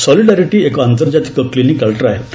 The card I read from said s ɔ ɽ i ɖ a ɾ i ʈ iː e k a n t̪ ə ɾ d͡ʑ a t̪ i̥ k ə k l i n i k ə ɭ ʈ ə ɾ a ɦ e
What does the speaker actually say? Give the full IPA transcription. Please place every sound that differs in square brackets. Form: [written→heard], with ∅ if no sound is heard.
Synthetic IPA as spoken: s ɔ [ɽ→l] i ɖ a ɾ i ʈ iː e k a n t̪ ə ɾ d͡ʑ a t̪ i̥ k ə k l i n i k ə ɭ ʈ ə ɾ a ɦ e